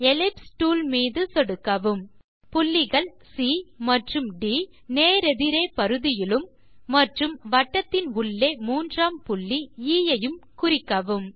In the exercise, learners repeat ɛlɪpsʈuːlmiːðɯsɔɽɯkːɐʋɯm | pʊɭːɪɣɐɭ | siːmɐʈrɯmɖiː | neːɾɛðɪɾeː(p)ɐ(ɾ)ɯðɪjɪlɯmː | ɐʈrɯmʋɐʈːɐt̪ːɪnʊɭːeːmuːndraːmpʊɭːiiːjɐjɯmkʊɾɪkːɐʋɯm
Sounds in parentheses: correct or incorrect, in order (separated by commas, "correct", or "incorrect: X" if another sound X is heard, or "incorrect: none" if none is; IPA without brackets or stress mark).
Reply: correct, correct